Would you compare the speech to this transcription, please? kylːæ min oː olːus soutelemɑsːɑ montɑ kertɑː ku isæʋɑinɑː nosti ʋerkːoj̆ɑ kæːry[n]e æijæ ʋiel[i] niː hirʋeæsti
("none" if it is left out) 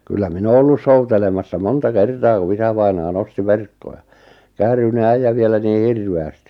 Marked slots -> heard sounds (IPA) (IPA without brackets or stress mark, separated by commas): n, æ